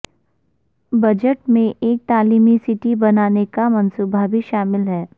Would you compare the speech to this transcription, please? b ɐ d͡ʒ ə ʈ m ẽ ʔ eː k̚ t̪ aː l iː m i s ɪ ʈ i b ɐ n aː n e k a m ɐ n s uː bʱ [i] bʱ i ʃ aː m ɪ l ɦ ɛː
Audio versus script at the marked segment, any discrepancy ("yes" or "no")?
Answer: yes